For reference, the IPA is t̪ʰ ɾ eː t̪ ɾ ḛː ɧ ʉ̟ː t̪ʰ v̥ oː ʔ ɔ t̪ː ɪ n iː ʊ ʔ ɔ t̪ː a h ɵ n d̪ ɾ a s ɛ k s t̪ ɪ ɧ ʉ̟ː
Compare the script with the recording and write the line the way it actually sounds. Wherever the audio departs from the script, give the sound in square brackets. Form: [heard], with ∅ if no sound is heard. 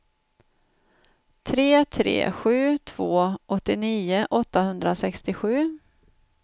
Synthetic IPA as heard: t̪ʰ ɾ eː [t̪ʰ] ɾ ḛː ɧ ʉ̟ː t̪ʰ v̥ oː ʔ ɔ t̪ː ɪ n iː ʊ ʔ ɔ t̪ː a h ɵ n d̪ ɾ a s ɛ k s t̪ ɪ ɧ ʉ̟ː